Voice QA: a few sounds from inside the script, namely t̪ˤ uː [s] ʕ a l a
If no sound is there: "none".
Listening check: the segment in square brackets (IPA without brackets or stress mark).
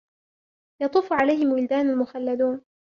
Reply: f